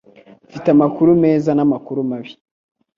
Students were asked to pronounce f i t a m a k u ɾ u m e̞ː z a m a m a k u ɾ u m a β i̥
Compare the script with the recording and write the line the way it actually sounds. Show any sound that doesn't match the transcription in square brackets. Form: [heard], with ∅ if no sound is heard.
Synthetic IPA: f i t a m a k u ɾ u m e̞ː z a [n] a m a k u ɾ u m a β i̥